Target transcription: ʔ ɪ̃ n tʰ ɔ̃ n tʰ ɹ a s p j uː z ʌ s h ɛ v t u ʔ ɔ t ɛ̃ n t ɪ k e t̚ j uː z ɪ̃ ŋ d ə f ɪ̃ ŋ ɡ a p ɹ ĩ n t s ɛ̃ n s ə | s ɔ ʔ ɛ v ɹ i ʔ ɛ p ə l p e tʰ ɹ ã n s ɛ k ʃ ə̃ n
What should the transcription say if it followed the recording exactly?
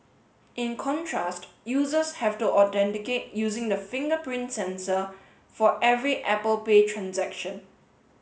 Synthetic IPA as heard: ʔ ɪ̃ n kʰ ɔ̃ n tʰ ɹ a s t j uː z ə s h ɛ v t u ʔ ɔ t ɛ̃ n t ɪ k e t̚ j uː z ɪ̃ ŋ d ə f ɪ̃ ŋ ɡ ə p ɹ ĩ n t s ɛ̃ n s ə | f ɔ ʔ ɛ v ɹ i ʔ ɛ p ə l p e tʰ ɹ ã n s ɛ k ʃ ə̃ n